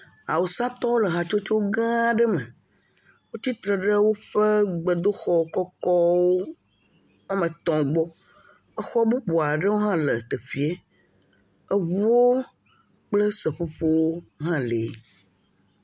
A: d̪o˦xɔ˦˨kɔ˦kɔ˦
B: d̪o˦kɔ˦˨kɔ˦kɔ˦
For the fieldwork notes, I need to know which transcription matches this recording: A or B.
A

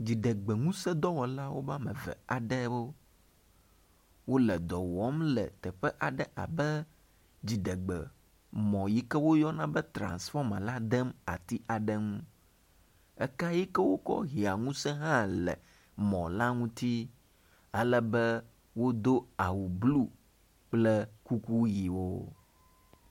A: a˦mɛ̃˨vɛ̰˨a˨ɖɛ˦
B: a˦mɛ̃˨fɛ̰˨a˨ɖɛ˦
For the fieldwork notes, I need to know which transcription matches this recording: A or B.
A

